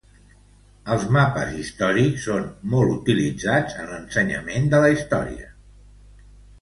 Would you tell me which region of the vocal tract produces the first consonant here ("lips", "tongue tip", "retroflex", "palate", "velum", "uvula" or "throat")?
tongue tip